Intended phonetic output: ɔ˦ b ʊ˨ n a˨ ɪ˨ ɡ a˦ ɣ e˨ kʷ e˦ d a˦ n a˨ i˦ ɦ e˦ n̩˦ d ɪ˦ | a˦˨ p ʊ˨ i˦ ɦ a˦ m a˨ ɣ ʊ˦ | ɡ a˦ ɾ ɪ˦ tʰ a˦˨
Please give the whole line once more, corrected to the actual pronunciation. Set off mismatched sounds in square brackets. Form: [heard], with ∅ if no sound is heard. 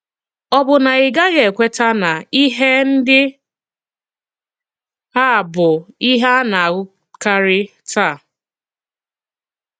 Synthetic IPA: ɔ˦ b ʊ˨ n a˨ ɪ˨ ɡ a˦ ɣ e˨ kʷ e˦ [t] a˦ n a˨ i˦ ɦ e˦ n̩˦ d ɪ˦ | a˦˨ [b] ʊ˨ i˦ ɦ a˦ [n] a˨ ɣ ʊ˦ | [k] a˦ ɾ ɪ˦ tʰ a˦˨